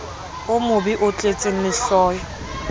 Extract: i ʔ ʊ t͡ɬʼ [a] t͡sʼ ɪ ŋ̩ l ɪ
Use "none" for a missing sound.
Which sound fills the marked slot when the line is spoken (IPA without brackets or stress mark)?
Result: e